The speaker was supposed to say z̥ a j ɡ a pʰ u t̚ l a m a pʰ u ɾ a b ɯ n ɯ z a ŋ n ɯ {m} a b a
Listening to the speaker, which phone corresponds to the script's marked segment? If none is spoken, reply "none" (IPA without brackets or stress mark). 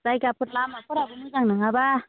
ŋ